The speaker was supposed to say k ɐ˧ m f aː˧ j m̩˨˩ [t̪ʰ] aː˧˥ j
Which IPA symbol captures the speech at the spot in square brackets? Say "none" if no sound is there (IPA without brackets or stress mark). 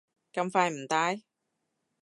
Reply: t̪